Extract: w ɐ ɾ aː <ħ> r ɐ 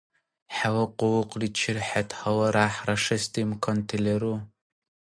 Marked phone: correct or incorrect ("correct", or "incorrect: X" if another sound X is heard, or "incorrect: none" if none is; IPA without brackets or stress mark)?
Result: correct